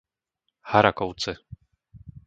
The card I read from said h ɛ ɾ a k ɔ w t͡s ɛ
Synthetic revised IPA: h a ɾ a k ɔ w t͡s ɛ